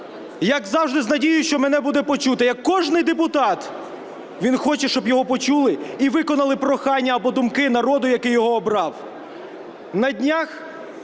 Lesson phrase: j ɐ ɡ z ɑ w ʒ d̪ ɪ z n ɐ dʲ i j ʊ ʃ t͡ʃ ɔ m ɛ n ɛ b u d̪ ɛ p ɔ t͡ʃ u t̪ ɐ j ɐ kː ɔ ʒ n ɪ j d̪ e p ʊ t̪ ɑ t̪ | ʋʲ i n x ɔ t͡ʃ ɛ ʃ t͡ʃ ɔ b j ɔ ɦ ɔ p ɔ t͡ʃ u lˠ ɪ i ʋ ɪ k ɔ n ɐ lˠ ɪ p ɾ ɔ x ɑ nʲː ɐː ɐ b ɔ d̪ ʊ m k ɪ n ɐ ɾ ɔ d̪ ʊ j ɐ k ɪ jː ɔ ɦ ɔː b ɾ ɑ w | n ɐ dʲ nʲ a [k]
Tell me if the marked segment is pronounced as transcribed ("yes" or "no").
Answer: no